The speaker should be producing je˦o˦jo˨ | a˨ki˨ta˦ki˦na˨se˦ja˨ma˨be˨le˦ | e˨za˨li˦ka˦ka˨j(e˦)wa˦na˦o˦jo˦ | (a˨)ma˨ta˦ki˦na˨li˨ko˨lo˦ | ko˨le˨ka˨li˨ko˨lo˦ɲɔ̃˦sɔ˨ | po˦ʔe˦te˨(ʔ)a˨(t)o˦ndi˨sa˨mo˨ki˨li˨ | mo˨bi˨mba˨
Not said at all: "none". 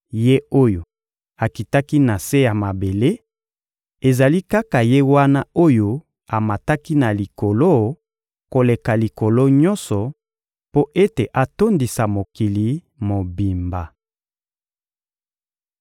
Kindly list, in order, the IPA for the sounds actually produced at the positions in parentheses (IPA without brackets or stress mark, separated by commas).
e˦, a˨, ʔ, t